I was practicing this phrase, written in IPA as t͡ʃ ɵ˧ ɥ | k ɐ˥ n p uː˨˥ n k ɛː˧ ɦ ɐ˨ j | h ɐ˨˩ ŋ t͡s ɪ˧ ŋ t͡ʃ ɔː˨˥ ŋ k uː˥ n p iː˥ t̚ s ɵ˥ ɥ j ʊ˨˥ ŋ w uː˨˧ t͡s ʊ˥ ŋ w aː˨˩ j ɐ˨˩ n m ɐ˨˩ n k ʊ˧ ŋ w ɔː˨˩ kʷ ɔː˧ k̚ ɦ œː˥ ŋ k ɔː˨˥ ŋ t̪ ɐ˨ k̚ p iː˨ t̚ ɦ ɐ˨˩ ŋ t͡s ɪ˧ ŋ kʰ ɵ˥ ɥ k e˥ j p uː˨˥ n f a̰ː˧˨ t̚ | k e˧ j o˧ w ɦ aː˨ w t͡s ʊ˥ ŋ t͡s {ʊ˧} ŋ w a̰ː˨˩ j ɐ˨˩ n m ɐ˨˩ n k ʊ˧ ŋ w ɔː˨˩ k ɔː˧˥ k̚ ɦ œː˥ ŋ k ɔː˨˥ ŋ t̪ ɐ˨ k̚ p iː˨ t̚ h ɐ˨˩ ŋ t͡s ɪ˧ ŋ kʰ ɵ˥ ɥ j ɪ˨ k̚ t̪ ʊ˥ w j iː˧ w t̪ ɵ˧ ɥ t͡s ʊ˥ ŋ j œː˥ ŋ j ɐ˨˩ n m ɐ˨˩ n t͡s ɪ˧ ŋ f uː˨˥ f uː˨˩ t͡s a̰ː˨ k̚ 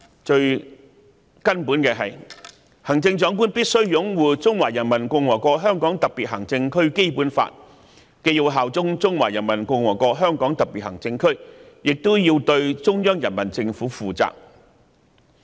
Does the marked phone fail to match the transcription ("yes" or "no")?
yes